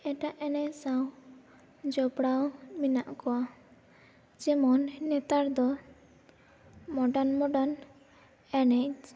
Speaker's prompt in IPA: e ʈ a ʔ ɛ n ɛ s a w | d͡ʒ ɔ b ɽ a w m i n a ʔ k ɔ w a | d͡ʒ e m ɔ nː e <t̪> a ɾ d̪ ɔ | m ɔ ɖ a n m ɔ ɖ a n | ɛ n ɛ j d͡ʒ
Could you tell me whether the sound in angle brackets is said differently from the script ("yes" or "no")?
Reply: no